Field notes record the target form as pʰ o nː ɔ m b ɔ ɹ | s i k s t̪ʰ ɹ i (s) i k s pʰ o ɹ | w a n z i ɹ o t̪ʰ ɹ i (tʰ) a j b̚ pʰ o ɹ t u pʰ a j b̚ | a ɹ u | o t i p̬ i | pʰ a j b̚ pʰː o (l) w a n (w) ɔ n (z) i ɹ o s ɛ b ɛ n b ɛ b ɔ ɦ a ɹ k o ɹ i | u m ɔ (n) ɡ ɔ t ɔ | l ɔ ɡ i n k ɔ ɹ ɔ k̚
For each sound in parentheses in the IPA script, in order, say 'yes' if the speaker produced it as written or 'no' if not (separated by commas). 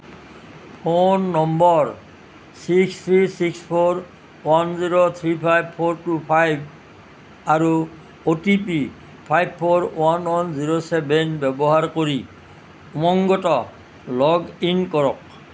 yes, no, no, yes, yes, no